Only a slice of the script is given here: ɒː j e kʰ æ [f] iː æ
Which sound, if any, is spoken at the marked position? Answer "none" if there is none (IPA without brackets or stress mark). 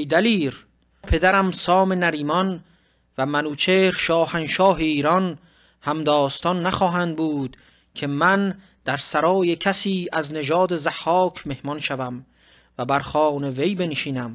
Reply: s